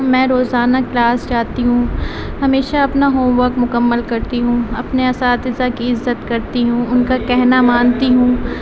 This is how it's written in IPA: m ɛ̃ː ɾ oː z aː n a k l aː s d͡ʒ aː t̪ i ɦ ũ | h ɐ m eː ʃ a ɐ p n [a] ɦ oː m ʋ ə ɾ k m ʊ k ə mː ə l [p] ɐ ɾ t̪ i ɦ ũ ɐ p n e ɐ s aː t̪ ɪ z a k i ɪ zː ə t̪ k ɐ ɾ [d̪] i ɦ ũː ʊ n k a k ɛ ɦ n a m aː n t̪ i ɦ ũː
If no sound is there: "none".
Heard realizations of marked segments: a, k, t̪

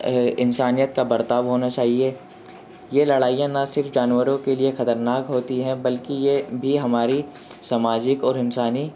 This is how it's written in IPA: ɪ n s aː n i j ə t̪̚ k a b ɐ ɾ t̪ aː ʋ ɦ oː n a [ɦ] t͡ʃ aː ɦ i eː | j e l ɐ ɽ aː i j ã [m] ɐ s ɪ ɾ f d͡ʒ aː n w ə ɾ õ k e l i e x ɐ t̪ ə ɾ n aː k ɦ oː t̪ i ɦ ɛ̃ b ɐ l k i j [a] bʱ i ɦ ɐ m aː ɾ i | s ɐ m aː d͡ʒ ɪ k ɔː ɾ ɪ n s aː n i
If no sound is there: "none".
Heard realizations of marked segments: none, n, e

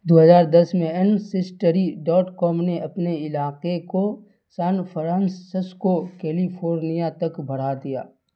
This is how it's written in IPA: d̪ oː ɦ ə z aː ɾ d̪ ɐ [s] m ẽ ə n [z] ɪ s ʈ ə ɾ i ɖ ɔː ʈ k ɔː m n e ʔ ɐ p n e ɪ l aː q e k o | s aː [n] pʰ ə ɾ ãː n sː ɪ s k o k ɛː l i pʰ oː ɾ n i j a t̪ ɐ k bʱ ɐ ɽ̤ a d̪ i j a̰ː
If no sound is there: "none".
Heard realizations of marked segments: s, s, n

